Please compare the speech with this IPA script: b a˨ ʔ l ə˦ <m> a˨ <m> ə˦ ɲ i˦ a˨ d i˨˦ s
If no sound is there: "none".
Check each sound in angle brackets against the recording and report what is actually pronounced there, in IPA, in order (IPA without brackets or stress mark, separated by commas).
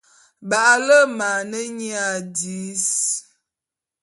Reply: m, n